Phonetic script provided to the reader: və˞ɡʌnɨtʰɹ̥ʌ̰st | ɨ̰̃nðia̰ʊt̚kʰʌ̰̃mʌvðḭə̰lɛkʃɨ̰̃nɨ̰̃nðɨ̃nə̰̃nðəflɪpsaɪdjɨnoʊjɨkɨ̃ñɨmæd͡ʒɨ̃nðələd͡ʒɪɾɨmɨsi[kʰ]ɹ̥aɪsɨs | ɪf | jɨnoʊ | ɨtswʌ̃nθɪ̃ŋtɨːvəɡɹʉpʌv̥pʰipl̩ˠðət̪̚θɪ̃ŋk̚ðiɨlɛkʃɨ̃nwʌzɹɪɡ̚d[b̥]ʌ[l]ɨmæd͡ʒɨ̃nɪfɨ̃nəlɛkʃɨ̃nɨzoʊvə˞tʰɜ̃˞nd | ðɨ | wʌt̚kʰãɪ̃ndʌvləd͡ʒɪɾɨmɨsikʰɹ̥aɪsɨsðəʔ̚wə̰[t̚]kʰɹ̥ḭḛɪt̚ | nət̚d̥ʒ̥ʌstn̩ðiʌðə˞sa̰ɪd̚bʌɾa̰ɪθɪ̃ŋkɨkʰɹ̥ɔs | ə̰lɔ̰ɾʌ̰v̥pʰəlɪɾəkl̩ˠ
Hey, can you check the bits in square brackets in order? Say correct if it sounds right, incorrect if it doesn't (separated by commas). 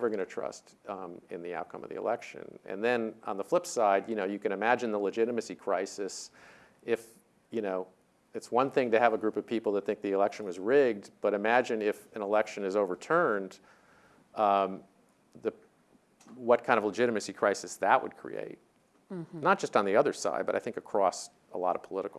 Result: correct, correct, incorrect, incorrect